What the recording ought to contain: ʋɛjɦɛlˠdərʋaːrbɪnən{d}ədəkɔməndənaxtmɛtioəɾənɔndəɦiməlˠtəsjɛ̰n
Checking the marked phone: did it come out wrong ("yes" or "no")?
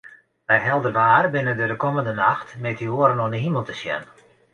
no